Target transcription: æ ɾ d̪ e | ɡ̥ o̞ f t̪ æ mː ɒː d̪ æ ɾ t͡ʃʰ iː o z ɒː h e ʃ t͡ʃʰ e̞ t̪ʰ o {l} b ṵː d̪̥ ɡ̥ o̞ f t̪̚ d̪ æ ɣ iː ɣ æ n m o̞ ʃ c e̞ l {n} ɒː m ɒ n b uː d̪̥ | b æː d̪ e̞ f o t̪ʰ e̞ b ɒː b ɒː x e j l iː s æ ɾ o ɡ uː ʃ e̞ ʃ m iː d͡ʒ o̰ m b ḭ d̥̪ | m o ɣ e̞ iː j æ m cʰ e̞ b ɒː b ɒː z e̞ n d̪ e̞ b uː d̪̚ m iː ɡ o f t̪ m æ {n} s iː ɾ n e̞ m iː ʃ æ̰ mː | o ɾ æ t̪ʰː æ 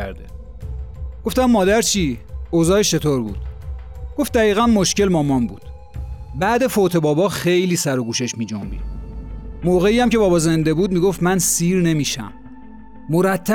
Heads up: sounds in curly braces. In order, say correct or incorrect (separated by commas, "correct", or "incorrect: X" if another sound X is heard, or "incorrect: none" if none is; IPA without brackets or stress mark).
incorrect: ɾ, incorrect: m, correct